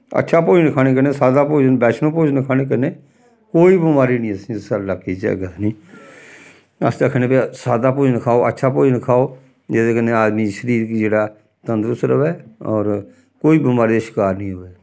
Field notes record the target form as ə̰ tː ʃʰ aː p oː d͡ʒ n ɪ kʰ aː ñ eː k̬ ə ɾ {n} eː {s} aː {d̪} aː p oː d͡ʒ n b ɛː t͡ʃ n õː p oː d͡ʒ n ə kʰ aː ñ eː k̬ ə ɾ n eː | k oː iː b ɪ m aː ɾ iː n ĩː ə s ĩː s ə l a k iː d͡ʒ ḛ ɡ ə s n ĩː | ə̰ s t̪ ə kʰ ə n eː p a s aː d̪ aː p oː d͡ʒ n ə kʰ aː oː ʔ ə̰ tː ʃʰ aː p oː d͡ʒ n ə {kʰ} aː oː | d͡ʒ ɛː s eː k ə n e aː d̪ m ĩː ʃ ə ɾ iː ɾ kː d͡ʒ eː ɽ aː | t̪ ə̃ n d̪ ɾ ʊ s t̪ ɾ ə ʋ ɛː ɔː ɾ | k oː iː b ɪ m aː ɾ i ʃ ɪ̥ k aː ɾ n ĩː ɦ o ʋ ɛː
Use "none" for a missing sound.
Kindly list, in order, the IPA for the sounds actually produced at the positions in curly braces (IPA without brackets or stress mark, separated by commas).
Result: n, s, d̪, kʰ